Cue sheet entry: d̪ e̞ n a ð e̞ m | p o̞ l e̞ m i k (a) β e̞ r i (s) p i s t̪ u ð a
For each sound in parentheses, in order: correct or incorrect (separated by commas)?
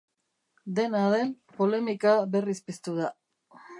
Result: correct, correct